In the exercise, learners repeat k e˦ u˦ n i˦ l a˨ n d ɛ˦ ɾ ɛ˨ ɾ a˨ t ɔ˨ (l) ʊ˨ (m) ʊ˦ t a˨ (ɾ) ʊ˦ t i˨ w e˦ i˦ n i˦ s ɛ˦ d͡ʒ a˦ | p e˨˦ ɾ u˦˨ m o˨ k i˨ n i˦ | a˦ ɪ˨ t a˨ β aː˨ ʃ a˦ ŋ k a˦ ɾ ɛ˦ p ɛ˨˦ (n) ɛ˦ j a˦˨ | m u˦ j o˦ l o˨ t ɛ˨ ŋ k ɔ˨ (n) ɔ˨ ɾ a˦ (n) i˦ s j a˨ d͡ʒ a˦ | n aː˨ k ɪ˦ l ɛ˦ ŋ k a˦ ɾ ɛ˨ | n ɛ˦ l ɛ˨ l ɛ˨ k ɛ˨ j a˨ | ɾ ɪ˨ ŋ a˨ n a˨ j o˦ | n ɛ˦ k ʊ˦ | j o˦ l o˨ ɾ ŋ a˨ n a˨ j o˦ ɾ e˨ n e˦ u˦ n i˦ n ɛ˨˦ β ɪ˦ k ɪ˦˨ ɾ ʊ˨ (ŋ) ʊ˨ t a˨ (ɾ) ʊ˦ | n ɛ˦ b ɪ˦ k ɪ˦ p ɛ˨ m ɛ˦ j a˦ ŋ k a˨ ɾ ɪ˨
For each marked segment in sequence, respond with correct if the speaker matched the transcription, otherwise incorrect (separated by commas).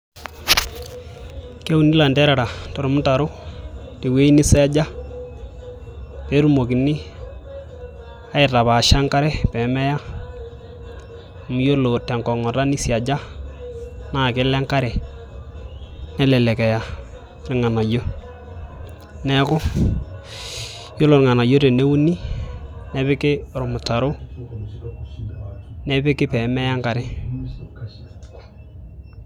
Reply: incorrect, correct, correct, incorrect, incorrect, correct, incorrect, correct